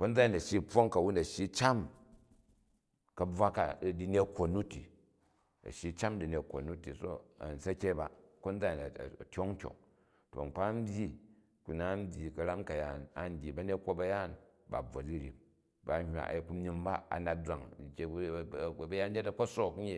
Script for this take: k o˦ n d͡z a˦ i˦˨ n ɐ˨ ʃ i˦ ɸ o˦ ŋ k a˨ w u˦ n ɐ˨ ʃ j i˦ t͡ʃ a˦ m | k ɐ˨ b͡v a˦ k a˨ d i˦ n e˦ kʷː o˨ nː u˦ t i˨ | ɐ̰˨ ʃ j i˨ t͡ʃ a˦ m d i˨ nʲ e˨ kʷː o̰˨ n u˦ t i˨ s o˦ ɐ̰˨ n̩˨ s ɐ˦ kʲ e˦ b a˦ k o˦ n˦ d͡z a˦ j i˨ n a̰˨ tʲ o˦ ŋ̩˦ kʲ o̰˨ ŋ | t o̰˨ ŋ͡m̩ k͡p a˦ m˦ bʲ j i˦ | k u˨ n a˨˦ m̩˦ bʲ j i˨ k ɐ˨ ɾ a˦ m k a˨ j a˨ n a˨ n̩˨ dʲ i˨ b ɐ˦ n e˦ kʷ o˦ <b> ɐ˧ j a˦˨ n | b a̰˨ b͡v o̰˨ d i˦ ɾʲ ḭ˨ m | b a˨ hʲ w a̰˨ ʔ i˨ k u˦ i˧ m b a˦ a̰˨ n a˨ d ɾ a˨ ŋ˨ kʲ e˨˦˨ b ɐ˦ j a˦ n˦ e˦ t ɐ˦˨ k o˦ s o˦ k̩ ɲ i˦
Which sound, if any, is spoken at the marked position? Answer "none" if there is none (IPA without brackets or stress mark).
b